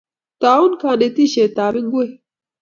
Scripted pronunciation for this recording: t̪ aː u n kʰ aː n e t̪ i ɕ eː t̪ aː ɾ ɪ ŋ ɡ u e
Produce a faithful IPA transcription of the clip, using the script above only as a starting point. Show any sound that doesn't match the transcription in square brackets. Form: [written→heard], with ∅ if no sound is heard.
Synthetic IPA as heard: t̪ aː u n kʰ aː n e t̪ i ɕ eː t̪ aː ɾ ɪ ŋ ɡ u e